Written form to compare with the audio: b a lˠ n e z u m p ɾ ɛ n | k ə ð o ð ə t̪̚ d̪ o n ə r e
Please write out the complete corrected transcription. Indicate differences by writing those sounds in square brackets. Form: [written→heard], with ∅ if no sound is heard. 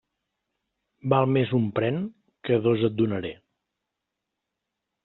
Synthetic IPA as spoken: b a lˠ [n→m] e z u m p ɾ ɛ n | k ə ð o [ð→z] ə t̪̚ d̪ [o→u] n ə [r→ɾ] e